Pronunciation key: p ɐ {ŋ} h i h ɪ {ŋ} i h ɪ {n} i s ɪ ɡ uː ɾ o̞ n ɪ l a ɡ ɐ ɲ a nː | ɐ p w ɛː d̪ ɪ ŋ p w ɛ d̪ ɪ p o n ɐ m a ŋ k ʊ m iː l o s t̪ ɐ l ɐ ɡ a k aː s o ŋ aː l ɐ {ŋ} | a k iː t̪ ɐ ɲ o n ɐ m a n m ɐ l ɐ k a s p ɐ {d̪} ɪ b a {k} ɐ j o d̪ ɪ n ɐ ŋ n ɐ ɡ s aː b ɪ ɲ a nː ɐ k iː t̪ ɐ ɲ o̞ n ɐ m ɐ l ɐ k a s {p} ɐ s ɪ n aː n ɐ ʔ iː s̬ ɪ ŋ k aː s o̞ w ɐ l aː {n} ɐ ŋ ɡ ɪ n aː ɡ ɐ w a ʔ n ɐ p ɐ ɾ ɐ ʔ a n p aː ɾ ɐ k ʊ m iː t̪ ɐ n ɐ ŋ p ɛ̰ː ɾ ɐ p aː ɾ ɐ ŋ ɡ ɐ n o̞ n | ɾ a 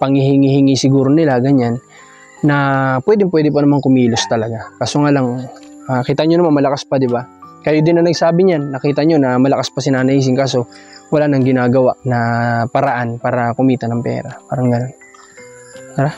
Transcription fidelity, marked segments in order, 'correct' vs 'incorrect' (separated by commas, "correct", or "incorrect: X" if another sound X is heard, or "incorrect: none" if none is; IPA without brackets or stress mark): correct, correct, incorrect: ŋ, correct, correct, correct, correct, correct